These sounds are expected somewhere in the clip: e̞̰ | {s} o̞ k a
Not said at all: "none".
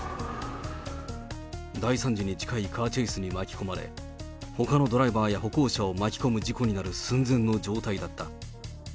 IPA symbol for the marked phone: h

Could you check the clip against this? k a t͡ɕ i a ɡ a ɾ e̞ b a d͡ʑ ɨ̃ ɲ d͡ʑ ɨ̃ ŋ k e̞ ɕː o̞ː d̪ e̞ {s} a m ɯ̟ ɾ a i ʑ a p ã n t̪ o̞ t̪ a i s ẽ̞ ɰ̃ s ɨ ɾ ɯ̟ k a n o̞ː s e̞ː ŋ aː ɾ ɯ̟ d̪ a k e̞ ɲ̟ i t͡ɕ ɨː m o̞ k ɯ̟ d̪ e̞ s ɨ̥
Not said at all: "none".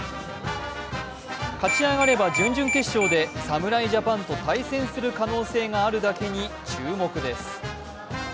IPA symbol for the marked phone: s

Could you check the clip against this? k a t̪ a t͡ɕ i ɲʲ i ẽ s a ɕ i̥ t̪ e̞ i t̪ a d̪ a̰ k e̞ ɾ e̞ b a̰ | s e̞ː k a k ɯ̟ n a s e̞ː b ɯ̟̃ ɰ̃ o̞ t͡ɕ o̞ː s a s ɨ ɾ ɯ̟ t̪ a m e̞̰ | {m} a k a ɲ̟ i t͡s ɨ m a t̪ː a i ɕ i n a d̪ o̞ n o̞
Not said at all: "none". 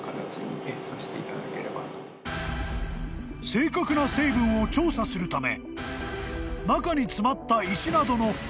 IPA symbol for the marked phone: n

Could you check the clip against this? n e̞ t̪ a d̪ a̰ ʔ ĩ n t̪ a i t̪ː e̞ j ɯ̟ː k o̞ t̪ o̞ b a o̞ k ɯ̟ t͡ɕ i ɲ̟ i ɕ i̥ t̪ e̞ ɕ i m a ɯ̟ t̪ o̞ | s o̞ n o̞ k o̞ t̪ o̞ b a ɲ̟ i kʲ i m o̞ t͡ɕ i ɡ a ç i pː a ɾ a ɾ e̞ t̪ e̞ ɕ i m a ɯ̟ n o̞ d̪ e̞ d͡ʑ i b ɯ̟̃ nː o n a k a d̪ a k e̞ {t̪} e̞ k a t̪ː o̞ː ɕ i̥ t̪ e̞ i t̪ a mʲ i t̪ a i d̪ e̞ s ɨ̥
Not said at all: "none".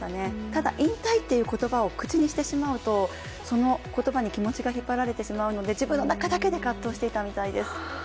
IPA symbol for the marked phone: d̪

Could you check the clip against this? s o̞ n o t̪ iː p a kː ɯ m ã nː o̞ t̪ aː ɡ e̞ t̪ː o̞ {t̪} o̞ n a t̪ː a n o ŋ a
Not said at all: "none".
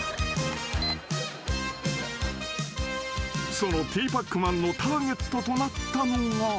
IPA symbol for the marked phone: t̪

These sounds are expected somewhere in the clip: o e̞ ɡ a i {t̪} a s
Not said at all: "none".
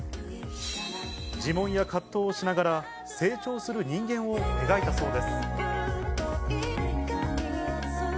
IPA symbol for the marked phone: t̪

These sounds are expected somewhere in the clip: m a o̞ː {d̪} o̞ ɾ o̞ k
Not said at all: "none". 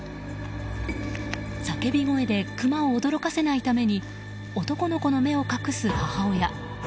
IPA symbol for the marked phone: d̪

